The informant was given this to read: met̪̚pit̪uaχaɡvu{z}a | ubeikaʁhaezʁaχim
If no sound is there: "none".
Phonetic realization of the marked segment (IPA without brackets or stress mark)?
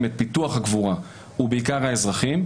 ʁ